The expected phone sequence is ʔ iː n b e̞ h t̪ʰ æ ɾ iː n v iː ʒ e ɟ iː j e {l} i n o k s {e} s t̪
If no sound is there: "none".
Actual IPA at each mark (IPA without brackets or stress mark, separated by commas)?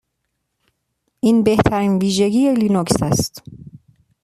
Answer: l, æ